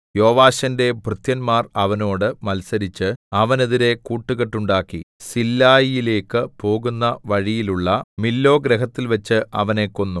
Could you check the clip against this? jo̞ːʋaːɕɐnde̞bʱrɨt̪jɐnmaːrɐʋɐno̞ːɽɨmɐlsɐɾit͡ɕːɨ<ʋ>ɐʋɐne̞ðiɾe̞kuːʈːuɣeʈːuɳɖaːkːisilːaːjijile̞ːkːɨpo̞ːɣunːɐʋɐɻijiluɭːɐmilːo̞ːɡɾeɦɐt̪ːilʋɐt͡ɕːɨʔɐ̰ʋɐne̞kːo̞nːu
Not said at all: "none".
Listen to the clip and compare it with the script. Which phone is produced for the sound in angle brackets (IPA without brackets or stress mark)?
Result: none